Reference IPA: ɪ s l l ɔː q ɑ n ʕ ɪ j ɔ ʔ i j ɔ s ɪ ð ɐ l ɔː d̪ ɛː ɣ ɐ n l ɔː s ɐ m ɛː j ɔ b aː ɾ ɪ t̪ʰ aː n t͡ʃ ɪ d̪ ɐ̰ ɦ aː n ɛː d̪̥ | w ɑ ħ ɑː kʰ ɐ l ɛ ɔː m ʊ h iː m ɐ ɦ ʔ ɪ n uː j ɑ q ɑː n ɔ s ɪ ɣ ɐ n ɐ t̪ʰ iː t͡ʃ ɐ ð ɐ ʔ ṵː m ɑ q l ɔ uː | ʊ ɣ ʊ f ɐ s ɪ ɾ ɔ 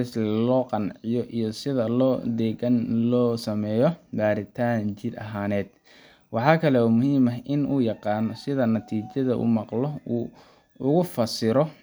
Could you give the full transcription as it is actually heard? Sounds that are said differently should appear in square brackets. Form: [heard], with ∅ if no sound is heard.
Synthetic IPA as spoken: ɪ s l l ɔː q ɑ n ʕ ɪ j ɔ ʔ i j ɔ s ɪ ð ɐ l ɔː d̪ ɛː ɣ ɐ n l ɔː s ɐ m ɛː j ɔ b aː ɾ ɪ t̪ʰ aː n t͡ʃ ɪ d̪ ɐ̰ ɦ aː n ɛː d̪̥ | w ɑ ħ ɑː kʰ ɐ l ɛ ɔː m ʊ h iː m ɐ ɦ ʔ ɪ n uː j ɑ q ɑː n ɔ s ɪ [ð] ɐ n ɐ t̪ʰ iː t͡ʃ ɐ ð ɐ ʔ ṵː m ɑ q l ɔ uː | ʊ ɣ ʊ f ɐ s ɪ ɾ ɔ